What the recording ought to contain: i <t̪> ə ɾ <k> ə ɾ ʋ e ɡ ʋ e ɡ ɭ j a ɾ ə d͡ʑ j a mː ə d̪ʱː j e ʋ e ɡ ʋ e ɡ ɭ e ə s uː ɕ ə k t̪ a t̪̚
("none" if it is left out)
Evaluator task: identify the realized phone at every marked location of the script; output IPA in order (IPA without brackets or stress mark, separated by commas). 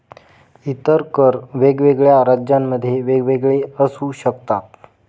t̪, k